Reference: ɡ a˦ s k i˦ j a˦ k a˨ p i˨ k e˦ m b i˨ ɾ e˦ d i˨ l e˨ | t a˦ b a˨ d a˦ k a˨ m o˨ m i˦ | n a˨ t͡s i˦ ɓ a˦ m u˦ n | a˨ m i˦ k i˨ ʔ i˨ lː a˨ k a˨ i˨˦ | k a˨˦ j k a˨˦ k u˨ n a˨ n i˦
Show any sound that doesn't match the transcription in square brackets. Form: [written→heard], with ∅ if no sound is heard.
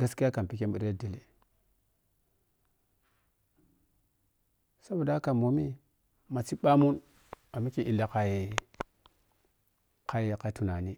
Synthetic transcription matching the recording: ɡ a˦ s k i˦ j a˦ k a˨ p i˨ k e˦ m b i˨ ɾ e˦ d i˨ l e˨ | [t→s] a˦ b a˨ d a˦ k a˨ m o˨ m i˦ | [n→m] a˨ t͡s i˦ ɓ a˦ m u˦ n | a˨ m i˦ k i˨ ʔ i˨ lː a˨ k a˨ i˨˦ | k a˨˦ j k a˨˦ [k→t] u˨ n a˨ n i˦